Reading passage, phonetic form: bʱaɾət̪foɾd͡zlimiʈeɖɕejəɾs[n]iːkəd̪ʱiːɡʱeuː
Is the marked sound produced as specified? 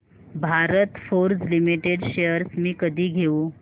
no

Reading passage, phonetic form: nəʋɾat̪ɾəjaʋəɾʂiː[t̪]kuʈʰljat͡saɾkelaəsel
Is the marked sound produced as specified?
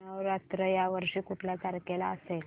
no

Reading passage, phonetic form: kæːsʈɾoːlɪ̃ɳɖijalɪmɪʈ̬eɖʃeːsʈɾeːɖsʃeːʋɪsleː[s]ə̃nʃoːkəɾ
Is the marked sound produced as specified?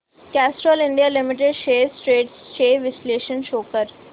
no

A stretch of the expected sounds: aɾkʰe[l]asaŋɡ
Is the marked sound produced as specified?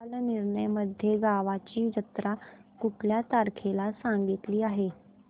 yes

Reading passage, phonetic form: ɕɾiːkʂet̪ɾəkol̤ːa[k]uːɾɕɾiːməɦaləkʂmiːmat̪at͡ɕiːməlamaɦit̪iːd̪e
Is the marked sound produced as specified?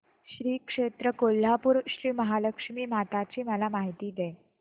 no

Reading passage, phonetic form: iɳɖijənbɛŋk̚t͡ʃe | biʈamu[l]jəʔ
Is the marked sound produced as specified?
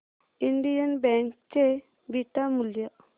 yes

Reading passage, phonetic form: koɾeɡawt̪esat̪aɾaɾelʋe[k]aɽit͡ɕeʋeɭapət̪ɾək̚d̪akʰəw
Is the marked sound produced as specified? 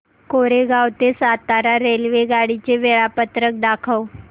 no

